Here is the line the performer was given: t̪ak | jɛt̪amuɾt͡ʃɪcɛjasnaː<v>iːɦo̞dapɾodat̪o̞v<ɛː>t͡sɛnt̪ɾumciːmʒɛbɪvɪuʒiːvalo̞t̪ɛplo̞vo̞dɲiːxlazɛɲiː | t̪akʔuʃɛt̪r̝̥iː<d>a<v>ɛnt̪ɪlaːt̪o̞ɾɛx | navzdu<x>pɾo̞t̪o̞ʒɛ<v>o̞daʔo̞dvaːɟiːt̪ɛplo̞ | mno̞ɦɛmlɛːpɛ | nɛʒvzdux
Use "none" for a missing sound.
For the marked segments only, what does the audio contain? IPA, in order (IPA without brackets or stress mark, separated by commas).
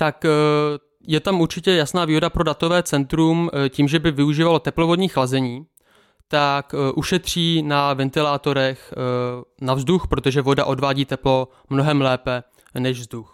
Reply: v, ɛː, n, v, x, v